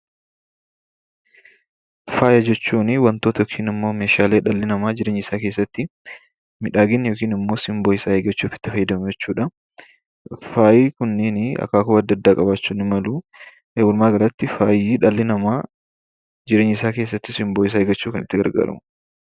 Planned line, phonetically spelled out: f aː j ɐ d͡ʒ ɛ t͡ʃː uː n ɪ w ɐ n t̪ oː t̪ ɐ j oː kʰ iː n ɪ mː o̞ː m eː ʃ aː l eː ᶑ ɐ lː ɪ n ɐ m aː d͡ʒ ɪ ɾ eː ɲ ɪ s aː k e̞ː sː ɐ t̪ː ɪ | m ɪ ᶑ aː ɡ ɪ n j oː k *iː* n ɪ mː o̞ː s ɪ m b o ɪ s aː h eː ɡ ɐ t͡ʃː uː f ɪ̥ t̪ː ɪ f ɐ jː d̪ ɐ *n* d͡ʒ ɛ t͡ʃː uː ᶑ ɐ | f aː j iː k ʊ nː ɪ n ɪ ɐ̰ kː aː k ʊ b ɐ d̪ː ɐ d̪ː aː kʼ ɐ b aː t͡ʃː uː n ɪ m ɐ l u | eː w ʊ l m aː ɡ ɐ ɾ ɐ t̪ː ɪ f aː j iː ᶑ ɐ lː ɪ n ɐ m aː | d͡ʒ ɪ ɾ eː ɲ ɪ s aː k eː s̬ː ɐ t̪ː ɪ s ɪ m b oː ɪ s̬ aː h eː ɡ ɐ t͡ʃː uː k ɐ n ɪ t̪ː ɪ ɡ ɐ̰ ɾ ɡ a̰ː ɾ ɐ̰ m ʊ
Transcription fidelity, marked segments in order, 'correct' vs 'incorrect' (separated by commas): correct, incorrect